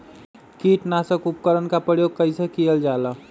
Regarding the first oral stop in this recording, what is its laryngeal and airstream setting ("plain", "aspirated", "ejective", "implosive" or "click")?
plain